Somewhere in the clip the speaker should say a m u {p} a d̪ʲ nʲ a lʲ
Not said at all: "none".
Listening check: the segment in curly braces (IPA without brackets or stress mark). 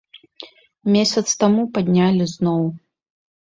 p